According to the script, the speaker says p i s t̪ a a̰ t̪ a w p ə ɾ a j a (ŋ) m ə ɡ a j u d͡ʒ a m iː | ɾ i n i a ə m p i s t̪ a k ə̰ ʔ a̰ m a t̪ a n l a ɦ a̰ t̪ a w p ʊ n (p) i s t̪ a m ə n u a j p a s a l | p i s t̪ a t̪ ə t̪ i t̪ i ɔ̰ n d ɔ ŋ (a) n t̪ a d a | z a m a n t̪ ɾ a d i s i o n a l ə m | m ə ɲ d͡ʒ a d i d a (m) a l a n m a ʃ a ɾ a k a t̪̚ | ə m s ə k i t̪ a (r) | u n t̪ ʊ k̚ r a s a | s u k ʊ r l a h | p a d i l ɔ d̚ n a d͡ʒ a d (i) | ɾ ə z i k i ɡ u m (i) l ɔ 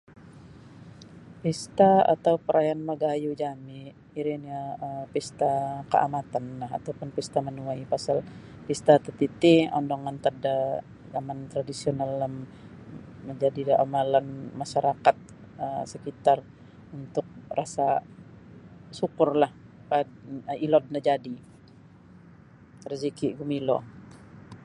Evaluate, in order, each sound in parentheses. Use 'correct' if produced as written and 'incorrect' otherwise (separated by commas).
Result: incorrect, correct, correct, correct, correct, correct, correct